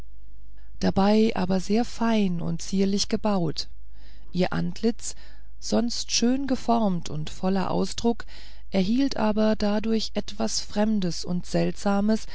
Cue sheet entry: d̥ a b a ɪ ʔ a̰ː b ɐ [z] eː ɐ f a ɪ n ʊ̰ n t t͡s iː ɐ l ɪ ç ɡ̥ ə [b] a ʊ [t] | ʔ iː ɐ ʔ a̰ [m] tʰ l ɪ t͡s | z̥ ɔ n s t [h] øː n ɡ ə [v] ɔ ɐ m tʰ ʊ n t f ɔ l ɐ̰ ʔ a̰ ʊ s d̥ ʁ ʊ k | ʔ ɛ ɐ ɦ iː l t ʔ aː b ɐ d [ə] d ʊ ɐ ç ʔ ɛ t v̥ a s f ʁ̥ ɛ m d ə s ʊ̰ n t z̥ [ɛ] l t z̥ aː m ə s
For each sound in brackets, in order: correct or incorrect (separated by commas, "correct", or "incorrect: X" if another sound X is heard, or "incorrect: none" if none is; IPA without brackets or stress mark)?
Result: correct, correct, correct, incorrect: n, incorrect: ʃ, incorrect: f, incorrect: a, correct